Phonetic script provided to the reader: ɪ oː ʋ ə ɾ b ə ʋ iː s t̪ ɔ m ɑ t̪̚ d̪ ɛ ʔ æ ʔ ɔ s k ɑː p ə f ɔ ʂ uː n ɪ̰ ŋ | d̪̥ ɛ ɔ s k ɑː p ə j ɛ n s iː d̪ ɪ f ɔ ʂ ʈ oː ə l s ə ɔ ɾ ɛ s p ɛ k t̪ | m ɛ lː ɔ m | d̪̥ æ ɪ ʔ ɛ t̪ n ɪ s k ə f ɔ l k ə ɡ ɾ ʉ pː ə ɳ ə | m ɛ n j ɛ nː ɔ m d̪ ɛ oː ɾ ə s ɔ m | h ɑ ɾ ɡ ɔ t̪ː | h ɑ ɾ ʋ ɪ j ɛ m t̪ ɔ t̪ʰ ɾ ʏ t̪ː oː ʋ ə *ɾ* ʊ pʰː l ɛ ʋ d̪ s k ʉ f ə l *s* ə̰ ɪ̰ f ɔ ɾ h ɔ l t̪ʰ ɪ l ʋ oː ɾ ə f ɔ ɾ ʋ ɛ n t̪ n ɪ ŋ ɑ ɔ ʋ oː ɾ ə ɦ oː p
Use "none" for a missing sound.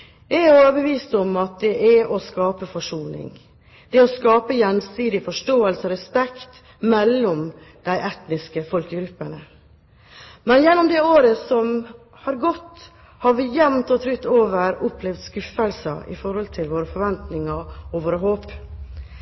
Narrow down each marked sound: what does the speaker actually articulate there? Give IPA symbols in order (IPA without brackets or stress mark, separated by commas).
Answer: ɾ, s